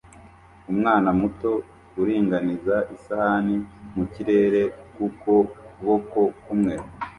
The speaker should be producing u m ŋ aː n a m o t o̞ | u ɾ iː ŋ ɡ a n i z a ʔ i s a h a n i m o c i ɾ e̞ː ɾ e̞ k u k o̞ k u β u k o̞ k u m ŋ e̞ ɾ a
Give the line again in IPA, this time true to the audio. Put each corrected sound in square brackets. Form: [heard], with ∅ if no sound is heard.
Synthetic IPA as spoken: u m ŋ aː n a m [u] t o̞ | u ɾ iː ŋ ɡ a n i z a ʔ i s a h a n i m [u] c i ɾ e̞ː ɾ e̞ k u k o̞ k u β [o] k o̞ k u m ŋ e̞ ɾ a